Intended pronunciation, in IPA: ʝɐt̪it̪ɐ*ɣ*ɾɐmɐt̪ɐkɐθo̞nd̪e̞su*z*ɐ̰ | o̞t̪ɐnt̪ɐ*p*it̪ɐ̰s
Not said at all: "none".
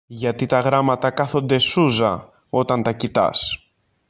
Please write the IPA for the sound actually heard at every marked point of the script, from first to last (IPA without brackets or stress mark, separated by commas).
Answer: ɣ, z, c